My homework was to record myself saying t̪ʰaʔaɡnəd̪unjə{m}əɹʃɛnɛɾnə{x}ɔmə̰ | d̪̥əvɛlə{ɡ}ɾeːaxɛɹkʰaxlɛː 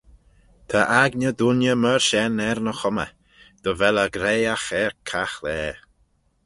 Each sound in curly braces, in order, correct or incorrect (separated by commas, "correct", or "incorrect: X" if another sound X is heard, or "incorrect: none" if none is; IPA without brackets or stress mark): correct, correct, correct